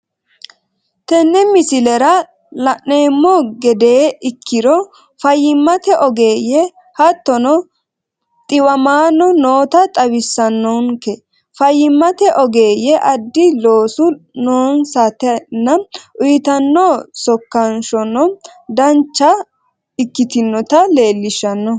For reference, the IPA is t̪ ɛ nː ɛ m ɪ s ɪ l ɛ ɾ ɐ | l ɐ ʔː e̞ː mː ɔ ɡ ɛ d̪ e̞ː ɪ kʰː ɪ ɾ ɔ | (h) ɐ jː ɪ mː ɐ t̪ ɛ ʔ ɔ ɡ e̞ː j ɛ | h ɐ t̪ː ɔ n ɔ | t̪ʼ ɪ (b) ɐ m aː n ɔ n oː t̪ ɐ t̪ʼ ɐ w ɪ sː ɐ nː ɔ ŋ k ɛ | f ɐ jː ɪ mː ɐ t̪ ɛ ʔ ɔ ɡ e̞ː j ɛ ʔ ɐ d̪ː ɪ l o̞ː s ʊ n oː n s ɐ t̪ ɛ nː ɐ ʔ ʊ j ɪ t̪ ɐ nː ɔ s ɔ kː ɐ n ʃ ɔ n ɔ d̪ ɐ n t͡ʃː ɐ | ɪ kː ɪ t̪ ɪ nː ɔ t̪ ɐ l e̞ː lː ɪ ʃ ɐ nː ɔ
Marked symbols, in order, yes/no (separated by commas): no, no